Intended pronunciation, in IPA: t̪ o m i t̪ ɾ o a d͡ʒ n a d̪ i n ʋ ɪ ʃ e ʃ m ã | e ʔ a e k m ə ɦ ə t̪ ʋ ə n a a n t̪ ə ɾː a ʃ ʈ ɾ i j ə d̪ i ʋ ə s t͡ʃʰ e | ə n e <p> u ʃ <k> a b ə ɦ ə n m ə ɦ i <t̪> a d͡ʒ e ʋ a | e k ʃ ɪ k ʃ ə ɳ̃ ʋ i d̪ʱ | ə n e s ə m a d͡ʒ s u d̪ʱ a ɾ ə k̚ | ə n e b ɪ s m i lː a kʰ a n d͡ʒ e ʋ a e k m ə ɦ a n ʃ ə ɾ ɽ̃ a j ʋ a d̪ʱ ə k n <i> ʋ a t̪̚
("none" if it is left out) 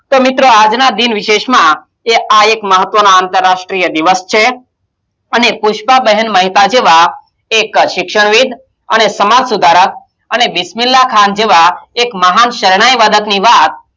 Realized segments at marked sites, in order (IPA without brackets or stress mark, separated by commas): p, p, t̪, i